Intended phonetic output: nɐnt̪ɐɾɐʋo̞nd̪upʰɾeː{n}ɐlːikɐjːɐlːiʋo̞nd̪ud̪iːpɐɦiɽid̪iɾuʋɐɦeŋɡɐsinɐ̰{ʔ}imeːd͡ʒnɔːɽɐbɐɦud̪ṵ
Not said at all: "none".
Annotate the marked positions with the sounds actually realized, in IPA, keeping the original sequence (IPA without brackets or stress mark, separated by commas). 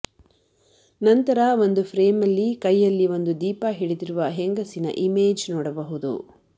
m, ʔ